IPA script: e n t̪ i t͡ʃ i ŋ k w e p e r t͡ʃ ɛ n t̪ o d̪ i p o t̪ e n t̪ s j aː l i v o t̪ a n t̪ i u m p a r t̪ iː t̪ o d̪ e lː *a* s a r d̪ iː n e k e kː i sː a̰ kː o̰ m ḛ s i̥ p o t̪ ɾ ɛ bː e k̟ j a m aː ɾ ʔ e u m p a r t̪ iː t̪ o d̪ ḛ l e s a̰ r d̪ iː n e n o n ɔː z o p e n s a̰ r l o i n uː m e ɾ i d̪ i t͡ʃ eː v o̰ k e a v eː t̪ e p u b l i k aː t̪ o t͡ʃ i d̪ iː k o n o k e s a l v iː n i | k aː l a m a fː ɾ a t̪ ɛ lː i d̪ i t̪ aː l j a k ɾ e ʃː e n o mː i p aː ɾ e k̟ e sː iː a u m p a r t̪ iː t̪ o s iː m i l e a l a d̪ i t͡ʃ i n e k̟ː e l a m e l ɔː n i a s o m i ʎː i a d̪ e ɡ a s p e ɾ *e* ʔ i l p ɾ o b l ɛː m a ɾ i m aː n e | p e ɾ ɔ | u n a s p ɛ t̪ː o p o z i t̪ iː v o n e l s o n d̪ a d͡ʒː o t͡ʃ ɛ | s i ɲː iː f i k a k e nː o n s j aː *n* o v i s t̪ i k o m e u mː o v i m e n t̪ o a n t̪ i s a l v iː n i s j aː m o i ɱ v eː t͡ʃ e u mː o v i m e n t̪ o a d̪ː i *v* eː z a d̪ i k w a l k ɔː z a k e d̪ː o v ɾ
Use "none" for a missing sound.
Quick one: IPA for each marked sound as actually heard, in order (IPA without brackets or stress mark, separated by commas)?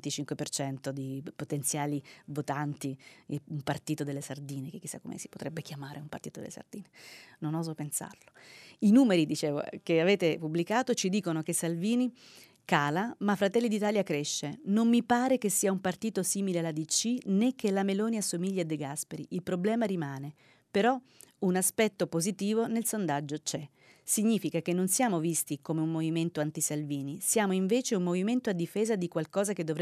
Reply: e, i, m, f